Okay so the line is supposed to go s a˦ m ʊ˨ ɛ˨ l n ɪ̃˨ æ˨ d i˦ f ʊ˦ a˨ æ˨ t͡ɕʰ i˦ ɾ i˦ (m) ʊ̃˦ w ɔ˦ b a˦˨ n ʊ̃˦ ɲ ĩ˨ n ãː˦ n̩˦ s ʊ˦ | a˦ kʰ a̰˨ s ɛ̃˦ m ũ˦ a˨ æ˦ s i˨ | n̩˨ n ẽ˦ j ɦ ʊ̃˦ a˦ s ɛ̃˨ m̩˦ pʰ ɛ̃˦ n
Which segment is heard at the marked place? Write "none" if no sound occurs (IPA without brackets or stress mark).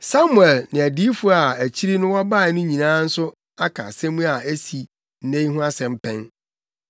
n